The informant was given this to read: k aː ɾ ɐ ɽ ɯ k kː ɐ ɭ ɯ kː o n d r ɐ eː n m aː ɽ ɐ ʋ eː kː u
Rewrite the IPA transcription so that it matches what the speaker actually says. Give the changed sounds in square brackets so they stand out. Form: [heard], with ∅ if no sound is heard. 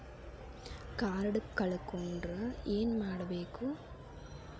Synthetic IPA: k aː ɾ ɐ ɽ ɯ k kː ɐ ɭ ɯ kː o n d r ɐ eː n m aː ɽ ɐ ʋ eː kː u